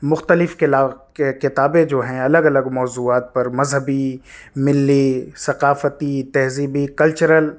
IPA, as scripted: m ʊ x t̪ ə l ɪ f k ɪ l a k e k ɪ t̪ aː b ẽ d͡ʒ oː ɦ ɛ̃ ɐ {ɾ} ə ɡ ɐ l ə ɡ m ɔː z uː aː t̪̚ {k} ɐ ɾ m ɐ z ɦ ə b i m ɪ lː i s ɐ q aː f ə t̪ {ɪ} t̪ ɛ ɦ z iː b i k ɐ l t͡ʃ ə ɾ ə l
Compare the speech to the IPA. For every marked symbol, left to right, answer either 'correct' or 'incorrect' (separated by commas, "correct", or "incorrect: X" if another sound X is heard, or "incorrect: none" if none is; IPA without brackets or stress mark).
incorrect: l, incorrect: p, incorrect: i